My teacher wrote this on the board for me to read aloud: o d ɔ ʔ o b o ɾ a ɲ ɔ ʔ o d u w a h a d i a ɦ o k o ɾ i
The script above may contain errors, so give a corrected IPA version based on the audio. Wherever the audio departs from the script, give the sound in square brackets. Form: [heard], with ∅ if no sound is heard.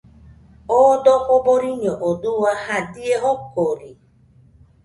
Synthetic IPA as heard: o d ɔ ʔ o b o ɾ [i] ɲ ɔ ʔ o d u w a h a d i [e] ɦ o k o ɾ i